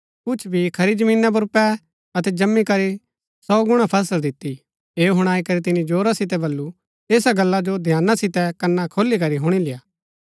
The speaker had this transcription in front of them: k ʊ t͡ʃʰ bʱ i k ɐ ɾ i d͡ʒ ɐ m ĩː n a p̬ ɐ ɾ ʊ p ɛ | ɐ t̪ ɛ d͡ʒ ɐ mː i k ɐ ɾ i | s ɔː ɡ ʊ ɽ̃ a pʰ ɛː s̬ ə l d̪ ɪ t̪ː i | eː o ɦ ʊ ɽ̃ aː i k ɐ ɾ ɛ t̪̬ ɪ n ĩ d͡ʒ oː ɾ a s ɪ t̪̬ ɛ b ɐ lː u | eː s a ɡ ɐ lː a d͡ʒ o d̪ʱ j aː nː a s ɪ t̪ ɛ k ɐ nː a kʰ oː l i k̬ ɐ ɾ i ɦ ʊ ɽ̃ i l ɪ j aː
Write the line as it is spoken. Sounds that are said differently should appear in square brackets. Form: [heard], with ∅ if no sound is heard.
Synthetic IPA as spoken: k ʊ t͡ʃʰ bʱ i [kʰ] ɐ ɾ i d͡ʒ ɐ m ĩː n a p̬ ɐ ɾ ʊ p ɛ | ɐ t̪ ɛ d͡ʒ ɐ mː i k ɐ ɾ i | s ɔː ɡ ʊ ɽ̃ a pʰ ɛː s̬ ə l d̪ ɪ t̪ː i | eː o ɦ ʊ ɽ̃ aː i k ɐ ɾ [i] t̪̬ ɪ n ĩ d͡ʒ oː ɾ a s ɪ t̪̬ ɛ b ɐ lː u | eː s a ɡ ɐ lː a d͡ʒ o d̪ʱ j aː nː a s ɪ t̪ ɛ k ɐ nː a kʰ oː l i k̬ ɐ ɾ i ɦ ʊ ɽ̃ i l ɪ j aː

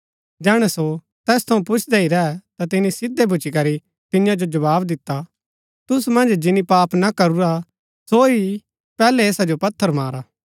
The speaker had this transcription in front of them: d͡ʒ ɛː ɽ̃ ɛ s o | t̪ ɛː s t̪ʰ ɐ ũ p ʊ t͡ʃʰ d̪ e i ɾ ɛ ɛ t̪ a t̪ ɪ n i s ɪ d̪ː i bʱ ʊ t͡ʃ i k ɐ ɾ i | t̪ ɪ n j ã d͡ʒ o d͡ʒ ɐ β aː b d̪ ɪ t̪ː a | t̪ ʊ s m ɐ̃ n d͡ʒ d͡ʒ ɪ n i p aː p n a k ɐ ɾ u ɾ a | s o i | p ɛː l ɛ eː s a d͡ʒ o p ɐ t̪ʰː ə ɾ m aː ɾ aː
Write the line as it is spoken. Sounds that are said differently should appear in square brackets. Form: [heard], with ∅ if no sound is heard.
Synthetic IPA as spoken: d͡ʒ ɛː ɽ̃ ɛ s o | t̪ ɛː s t̪ʰ ɐ ũ p ʊ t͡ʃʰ d̪ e i ɾ ɛ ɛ t̪ a t̪ ɪ n i s ɪ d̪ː [e] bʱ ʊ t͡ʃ i k ɐ ɾ i | t̪ ɪ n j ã d͡ʒ o d͡ʒ ɐ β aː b d̪ ɪ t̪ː a | t̪ ʊ s m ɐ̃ n d͡ʒ d͡ʒ ɪ n i p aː p n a k ɐ ɾ u ɾ a | s o i | p ɛː l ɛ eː s a d͡ʒ o p ɐ t̪ʰː ə ɾ m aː ɾ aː

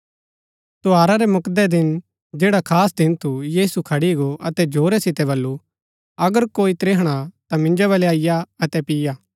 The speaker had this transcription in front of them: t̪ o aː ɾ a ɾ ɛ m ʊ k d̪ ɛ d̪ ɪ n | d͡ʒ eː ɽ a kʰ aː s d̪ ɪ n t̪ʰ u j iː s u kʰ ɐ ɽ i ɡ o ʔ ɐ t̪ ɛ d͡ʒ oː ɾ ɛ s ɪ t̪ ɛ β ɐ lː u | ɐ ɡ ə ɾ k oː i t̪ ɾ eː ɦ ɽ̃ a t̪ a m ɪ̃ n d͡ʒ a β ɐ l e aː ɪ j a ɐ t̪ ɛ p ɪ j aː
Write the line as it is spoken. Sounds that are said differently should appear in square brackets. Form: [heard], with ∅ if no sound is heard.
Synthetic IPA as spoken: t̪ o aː ɾ a ɾ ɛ m ʊ k d̪ ɛ d̪ ɪ n | d͡ʒ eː ɽ a kʰ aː s d̪ ɪ n t̪ʰ u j iː s u kʰ ɐ ɽ i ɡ o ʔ ɐ t̪ ɛ d͡ʒ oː ɾ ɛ s ɪ t̪ ɛ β ɐ lː u | ɐ ɡ ə ɾ k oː i t̪ ɾ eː ɦ ɽ̃ a t̪ a m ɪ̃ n d͡ʒ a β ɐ l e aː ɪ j a ɐ t̪ ɛ p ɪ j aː

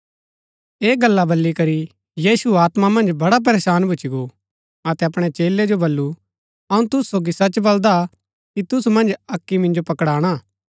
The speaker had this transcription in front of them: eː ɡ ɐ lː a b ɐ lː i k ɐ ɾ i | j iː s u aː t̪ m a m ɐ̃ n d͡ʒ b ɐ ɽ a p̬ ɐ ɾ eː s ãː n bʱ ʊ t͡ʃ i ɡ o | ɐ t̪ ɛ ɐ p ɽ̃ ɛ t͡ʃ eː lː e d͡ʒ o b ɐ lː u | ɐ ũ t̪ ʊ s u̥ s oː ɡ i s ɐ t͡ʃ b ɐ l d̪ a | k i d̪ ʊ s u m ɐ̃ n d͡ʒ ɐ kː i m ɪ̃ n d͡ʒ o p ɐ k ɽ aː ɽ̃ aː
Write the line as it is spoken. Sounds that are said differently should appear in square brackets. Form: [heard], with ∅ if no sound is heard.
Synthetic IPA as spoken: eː ɡ ɐ lː a b ɐ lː i k ɐ ɾ i | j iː s u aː t̪ m a m ɐ̃ n d͡ʒ b ɐ ɽ a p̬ ɐ ɾ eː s [aː] n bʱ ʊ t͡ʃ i ɡ o | ɐ t̪ ɛ ɐ p ɽ̃ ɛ t͡ʃ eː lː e d͡ʒ o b ɐ lː u | ɐ ũ t̪ ʊ s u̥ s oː ɡ i s ɐ t͡ʃ b ɐ l d̪ a | k i [t̪] ʊ s u m ɐ̃ n d͡ʒ ɐ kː i m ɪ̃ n d͡ʒ o p ɐ k ɽ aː ɽ̃ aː

